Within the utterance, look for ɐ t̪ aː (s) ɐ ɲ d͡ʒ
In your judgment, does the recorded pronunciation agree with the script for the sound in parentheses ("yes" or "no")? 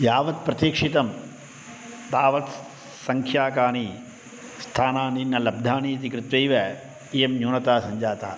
yes